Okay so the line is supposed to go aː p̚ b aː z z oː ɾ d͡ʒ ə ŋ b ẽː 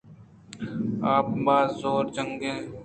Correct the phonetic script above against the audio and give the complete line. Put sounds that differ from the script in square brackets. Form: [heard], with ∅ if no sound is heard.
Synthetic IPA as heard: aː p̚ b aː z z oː ɾ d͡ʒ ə ŋ [ɡ] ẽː